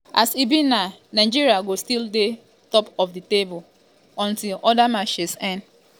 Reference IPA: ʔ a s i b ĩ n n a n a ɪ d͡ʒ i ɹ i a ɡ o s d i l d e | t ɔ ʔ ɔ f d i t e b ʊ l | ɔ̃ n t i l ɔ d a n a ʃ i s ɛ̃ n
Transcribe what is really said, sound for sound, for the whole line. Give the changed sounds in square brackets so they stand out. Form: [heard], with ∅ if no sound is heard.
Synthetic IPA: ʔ a s i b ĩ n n a n a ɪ d͡ʒ i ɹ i a ɡ o s [t] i l d e | t ɔ [p] ɔ f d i t e b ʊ l | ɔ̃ n t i l ɔ d a [m] a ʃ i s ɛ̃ n